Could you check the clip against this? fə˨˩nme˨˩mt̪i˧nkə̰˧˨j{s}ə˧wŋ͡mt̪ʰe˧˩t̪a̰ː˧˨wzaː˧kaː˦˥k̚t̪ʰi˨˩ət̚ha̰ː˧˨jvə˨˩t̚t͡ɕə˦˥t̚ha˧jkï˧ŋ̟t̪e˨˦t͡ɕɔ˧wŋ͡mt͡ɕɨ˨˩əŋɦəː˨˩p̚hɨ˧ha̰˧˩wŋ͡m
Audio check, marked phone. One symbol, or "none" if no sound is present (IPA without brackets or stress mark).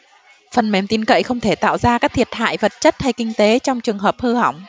x